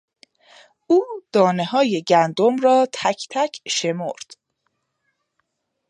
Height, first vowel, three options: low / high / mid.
high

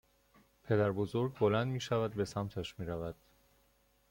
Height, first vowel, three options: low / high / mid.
mid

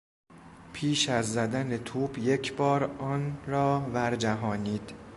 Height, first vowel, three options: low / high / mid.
high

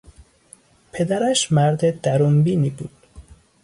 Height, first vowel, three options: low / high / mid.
mid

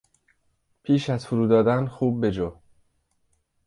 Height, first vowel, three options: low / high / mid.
high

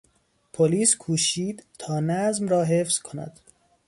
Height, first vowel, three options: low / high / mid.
mid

